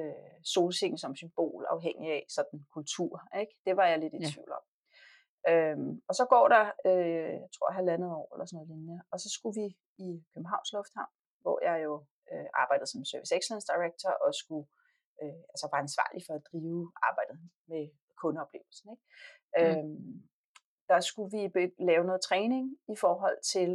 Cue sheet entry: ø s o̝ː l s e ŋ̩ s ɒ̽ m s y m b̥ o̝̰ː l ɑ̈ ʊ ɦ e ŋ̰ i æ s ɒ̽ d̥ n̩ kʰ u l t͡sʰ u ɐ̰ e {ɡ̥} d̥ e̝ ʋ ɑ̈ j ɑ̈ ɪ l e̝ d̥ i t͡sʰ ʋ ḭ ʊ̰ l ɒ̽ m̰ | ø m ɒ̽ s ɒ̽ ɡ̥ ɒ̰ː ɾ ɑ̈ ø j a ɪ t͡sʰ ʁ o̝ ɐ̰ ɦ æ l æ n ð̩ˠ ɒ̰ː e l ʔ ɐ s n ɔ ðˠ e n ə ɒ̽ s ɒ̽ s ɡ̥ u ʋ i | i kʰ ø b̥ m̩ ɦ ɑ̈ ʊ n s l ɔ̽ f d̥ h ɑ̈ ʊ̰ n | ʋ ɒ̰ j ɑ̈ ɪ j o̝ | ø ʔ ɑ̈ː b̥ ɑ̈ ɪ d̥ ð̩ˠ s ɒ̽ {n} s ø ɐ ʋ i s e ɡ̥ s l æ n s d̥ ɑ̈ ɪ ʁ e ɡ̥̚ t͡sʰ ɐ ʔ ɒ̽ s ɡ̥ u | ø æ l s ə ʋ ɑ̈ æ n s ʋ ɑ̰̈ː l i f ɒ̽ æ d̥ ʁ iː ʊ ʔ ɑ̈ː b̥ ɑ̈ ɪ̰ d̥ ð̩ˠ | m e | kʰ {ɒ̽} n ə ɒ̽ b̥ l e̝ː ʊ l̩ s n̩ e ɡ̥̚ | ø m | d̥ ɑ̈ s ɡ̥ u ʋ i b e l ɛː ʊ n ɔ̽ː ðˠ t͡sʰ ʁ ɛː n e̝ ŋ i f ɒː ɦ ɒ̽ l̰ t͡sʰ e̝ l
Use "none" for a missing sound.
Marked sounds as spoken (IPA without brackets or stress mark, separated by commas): ɡ̥, m, ɔ̽